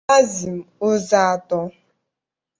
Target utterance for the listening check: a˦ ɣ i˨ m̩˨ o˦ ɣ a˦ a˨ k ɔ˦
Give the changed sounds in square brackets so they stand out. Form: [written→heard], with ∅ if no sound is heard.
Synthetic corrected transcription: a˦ [ɣ→z] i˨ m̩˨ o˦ [ɣ→z] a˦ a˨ [k→t] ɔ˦